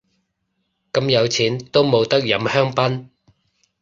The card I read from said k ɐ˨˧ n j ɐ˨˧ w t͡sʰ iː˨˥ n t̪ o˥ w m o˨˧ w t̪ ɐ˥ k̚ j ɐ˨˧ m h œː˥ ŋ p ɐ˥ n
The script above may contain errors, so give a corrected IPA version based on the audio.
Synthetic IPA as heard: k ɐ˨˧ m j ɐ˨˧ w t͡sʰ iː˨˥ n t̪ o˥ w m o˨˧ w t̪ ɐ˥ k̚ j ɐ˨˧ m h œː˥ ŋ p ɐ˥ n

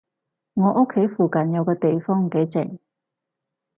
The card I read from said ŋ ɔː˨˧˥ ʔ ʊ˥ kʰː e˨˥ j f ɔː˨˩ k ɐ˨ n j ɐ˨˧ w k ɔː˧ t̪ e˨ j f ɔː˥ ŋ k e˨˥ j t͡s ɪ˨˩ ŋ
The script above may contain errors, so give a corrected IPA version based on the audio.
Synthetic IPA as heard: ŋ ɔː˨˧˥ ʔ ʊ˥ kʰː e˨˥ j f uː˨˩ k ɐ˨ n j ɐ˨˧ w k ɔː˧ t̪ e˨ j f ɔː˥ ŋ k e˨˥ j t͡s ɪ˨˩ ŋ

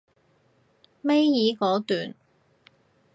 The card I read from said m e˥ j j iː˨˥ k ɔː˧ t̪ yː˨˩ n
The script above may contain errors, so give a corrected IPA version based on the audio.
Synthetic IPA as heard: m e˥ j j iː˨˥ k ɔː˨˥ t̪ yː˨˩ n

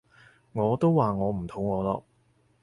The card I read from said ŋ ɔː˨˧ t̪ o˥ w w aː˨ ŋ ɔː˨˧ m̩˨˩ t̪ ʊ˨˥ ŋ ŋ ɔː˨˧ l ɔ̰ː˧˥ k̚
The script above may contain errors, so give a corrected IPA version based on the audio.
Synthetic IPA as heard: ŋ ɔː˨˧ t̪ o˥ w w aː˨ ŋ ɔː˨˧ m̩˨˩ t̪ʰ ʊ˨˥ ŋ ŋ ɔː˨˧ l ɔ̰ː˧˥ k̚

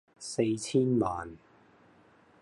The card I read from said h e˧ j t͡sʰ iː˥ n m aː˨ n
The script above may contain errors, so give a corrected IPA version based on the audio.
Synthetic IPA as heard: s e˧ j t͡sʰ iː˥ n m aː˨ n

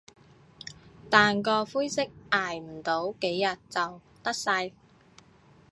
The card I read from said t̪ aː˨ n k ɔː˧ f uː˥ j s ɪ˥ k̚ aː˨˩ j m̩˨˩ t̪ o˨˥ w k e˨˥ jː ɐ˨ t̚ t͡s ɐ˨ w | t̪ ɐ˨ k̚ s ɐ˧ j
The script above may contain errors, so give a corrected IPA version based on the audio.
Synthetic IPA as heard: t̪ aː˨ n k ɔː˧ f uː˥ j s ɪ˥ k̚ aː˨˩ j m̩˨˩ t̪ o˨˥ w k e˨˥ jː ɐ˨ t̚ t͡s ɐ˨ w | t̪ ɐ˥ k̚ s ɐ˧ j

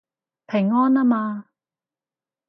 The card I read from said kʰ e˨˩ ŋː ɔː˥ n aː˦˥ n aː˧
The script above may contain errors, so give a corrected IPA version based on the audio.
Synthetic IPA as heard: pʰ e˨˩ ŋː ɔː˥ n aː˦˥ m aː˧

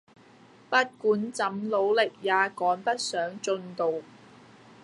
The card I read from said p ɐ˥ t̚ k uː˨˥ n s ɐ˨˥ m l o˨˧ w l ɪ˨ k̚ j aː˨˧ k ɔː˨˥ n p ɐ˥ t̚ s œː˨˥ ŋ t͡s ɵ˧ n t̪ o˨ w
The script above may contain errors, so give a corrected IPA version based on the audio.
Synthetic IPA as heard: p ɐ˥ t̚ k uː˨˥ n t͡s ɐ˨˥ m l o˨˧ w l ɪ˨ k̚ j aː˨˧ k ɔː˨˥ n p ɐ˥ t̚ s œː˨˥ ŋ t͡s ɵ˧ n t̪ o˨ w

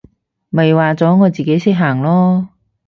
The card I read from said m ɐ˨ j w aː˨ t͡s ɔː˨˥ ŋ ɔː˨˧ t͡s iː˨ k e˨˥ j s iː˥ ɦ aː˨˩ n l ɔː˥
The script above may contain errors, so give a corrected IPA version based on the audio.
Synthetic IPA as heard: m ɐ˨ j w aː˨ t͡s ɔː˨˥ ŋ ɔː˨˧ t͡s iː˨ k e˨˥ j s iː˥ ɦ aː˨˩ ŋ l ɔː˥

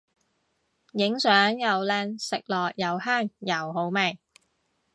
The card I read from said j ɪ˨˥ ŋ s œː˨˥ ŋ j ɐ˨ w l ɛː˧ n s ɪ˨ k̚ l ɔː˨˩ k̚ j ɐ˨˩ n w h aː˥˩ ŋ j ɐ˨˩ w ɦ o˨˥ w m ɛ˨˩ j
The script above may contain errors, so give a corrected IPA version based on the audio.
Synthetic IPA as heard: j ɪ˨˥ ŋ s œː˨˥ ŋ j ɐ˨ w l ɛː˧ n s ɪ˨ k̚ l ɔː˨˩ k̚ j ɐ˨˩ w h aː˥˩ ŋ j ɐ˨˩ w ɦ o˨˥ w m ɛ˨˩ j

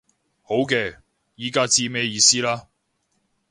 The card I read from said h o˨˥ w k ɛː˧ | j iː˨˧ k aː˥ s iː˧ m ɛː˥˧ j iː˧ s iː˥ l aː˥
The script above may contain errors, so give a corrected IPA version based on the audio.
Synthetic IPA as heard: h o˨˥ w k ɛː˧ | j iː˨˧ k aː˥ t͡s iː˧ m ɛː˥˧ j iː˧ s iː˥ l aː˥

